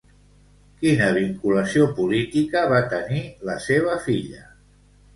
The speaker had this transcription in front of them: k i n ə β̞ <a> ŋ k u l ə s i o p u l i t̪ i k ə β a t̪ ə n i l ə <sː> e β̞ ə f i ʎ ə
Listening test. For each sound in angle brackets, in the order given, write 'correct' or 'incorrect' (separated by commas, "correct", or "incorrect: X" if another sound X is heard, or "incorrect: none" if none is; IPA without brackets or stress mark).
incorrect: i, incorrect: s